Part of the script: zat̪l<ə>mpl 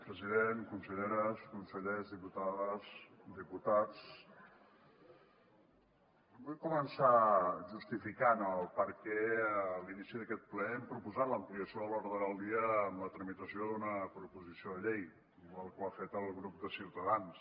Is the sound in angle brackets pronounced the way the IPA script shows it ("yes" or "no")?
yes